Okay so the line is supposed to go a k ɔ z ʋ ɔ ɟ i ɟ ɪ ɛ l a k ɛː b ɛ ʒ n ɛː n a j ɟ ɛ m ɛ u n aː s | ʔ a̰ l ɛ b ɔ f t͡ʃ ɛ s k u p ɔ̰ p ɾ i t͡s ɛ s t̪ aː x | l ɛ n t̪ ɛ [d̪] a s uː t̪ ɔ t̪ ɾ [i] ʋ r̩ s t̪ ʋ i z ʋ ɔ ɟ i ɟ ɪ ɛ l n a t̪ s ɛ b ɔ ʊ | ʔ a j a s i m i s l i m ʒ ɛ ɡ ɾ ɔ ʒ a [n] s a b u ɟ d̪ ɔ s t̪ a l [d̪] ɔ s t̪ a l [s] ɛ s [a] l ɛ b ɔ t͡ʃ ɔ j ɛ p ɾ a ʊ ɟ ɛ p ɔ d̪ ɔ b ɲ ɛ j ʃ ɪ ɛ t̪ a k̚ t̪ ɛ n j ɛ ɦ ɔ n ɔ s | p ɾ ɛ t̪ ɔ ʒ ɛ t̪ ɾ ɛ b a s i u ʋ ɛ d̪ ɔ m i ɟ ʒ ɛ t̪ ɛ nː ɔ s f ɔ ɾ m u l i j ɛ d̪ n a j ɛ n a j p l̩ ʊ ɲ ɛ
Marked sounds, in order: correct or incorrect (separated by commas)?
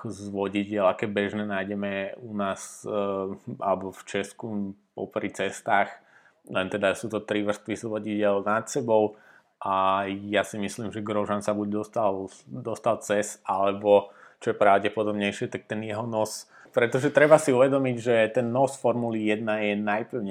correct, correct, correct, correct, incorrect, correct